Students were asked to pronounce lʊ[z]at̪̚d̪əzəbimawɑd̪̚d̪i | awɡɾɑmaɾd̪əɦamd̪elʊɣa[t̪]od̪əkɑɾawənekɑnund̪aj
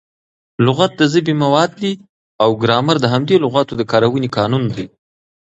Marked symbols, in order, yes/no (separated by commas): no, yes